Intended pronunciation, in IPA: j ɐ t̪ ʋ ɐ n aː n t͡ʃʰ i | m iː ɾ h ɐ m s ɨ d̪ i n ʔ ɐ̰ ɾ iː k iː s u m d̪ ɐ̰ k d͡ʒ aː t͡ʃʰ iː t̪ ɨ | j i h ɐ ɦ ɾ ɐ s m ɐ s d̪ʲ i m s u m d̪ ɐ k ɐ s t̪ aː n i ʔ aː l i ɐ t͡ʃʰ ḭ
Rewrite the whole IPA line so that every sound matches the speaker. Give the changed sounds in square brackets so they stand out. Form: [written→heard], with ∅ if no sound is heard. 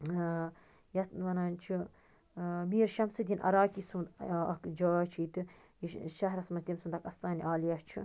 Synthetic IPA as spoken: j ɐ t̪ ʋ ɐ n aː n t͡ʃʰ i | m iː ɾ [h→ʃ] ɐ m s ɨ d̪ i n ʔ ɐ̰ ɾ [iː→aː] k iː s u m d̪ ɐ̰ k d͡ʒ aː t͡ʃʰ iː t̪ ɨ | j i [h→ʃ] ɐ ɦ ɾ ɐ s m ɐ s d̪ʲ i m s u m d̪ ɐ k ɐ s t̪ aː n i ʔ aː l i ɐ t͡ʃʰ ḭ